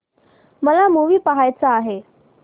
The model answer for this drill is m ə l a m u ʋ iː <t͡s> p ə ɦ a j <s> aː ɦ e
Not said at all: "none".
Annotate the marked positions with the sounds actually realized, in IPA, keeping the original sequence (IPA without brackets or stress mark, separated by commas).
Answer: none, t͡s